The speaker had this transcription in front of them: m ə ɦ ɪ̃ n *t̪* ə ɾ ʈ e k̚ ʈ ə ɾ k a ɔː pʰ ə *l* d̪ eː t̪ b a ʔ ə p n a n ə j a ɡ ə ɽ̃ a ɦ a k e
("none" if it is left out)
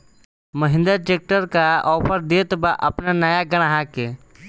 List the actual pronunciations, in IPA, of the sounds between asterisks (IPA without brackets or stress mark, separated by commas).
d̪, ɾ